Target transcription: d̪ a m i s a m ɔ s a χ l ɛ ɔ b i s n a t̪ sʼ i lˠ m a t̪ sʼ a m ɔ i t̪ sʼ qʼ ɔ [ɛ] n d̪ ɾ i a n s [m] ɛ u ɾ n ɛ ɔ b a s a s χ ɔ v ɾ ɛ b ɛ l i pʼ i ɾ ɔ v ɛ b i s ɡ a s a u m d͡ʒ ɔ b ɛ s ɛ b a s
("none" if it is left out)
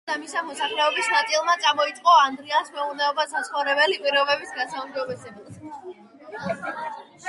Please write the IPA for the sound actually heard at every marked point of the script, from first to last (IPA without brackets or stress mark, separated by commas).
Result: a, m